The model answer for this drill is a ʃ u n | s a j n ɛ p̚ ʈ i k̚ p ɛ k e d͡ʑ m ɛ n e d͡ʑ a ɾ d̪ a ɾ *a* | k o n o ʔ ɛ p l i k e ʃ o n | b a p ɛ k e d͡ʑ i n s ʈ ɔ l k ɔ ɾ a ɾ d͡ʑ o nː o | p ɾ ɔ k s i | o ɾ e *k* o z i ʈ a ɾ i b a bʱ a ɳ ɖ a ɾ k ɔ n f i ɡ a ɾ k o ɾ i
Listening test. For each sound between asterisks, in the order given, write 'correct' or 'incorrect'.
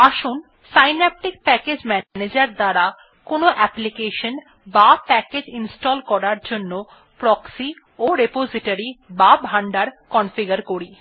correct, incorrect

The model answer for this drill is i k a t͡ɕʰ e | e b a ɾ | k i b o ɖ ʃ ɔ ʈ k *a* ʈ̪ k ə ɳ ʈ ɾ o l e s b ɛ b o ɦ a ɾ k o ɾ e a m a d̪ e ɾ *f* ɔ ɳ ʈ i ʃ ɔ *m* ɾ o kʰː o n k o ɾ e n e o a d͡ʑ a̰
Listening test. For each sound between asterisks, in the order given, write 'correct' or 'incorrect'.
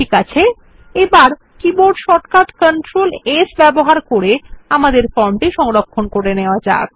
correct, correct, incorrect

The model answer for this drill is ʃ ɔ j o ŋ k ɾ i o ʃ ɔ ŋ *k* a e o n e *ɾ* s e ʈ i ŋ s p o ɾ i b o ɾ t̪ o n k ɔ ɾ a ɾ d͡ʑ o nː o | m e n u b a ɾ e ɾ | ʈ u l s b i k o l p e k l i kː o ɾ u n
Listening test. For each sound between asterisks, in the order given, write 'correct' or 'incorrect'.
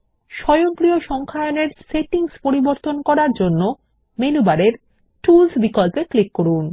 incorrect, correct

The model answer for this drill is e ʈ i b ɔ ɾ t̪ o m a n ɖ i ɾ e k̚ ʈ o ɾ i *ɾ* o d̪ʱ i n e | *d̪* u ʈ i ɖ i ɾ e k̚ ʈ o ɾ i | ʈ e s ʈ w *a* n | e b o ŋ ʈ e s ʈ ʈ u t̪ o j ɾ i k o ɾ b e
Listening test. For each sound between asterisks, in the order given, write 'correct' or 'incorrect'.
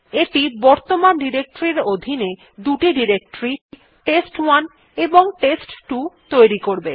correct, correct, correct

